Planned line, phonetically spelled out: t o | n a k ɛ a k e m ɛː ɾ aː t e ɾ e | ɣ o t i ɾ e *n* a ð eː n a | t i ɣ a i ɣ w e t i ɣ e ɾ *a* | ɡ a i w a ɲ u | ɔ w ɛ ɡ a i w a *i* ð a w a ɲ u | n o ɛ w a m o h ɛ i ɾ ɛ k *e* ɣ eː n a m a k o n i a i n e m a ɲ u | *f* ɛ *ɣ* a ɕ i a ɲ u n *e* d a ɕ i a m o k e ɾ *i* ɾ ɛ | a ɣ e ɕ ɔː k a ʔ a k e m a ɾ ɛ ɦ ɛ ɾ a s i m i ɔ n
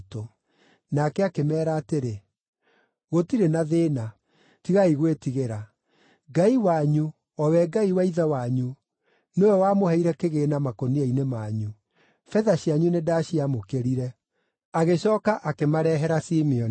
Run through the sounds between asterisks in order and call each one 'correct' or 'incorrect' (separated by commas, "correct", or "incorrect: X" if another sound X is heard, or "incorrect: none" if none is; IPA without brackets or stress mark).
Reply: correct, correct, correct, correct, correct, incorrect: ð, correct, correct